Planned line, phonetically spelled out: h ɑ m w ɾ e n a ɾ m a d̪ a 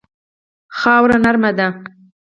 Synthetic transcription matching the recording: x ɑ w ɾ a n a ɾ m a d̪ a